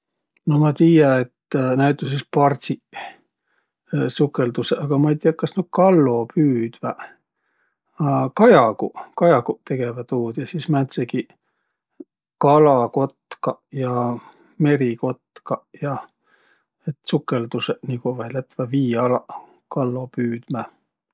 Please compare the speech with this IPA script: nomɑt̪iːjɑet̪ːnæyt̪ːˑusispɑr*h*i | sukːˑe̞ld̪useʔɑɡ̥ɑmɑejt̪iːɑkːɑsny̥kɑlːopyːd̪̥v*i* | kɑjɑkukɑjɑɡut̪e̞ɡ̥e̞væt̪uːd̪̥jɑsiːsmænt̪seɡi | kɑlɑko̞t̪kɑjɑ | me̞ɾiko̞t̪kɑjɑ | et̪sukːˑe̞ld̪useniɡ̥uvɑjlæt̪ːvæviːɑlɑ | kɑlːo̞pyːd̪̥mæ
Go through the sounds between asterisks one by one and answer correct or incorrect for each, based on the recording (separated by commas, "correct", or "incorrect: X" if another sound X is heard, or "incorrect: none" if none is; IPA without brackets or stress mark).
incorrect: s, incorrect: æ